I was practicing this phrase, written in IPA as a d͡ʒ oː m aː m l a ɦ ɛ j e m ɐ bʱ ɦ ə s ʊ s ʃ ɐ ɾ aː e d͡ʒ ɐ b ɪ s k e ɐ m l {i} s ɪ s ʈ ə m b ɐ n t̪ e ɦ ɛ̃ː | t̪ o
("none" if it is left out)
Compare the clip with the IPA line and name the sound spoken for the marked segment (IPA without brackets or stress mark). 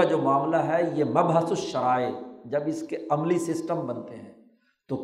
i